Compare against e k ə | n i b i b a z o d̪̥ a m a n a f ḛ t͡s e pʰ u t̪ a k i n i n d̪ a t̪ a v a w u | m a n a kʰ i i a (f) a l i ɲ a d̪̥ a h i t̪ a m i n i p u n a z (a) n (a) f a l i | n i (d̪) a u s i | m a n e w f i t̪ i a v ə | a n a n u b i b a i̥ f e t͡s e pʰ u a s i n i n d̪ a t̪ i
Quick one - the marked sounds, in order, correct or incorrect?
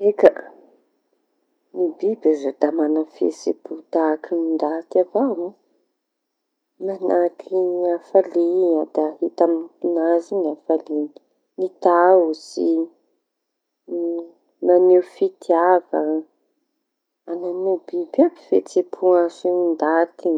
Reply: correct, incorrect: i, correct, incorrect: t̪

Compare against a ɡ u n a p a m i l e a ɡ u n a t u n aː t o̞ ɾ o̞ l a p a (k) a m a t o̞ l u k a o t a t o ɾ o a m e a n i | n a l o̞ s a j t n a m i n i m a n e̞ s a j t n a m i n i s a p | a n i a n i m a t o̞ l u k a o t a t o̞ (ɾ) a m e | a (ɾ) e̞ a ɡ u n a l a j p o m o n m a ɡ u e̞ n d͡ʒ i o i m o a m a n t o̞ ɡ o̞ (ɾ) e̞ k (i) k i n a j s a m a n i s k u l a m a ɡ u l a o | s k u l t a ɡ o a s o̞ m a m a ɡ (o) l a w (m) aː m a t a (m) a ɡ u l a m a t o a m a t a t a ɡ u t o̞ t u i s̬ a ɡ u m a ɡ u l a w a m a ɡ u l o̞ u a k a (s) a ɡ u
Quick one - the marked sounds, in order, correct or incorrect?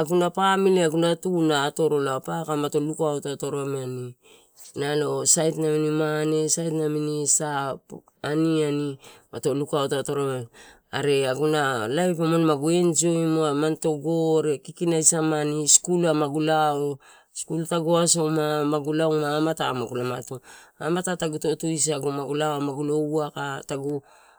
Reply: correct, correct, correct, correct, correct, incorrect: u, correct, correct, incorrect: t

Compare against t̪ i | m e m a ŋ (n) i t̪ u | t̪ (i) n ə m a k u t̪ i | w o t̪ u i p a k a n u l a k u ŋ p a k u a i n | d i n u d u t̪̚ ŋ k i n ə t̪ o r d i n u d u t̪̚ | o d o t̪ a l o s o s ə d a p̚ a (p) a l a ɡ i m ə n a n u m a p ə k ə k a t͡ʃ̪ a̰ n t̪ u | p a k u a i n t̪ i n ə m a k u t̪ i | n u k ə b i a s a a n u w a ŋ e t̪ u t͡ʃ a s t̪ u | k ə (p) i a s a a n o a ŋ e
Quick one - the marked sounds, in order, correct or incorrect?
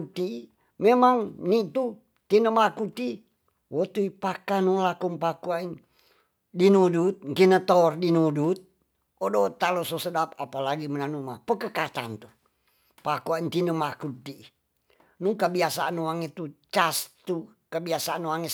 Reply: correct, correct, correct, incorrect: b

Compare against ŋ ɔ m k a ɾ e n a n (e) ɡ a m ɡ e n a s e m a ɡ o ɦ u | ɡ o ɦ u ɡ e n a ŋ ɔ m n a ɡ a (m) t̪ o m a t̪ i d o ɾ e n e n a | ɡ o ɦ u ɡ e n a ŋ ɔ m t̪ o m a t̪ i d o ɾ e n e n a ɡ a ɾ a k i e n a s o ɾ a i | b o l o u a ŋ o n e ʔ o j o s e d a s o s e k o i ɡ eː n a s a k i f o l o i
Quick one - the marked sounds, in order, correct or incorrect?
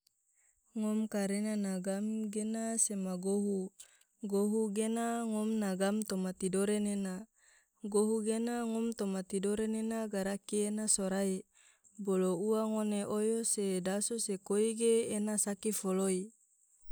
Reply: incorrect: a, correct

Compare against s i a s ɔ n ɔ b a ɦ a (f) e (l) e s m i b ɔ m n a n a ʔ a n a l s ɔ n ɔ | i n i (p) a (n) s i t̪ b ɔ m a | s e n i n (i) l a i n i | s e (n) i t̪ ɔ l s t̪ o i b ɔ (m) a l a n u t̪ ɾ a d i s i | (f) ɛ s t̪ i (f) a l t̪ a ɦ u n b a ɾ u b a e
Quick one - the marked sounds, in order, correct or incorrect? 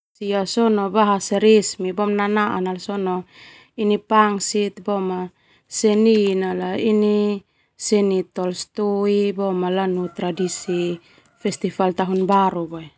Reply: incorrect: s, incorrect: ɾ, correct, incorrect: ŋ, incorrect: a, correct, correct, correct, correct

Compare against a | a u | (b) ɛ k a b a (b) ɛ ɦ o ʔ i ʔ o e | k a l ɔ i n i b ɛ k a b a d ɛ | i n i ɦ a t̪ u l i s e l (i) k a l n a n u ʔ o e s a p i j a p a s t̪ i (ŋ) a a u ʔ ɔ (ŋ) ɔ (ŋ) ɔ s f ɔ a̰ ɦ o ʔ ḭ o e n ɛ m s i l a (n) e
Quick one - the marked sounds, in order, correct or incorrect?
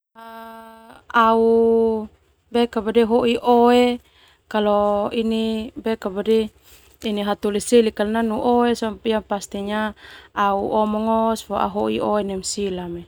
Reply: correct, incorrect: d, correct, incorrect: ɲ, incorrect: m, correct, incorrect: m

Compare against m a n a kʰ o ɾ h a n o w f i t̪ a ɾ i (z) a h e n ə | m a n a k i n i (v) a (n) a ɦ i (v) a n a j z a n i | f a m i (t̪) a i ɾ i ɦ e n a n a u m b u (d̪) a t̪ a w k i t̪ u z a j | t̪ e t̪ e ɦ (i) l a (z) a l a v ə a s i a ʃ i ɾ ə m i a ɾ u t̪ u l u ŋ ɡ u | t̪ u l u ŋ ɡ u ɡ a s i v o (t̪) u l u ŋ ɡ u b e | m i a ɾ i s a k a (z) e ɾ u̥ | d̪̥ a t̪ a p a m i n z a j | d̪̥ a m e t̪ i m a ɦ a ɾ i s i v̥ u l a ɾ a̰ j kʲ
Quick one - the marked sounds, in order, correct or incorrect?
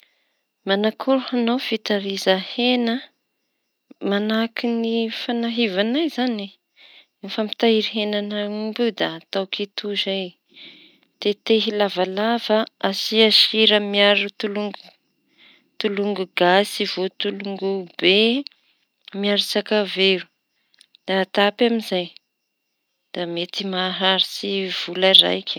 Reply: correct, incorrect: f, correct, correct, correct, correct, correct, incorrect: v, correct, incorrect: v

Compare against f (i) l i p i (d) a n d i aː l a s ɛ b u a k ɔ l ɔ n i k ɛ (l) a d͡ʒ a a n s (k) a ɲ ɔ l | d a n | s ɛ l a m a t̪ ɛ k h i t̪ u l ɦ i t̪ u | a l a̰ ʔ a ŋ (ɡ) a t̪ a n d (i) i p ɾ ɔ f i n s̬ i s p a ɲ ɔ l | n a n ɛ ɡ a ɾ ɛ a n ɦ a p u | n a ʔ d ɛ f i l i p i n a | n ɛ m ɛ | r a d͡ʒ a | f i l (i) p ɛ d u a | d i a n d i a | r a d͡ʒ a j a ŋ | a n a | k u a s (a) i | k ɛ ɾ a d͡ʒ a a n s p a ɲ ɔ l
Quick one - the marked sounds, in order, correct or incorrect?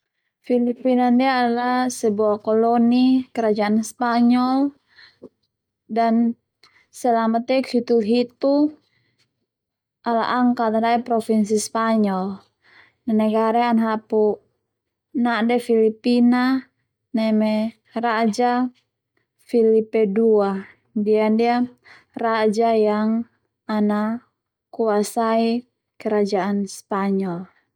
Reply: correct, incorrect: n, incorrect: ɾ, incorrect: p, incorrect: k, incorrect: a, correct, correct

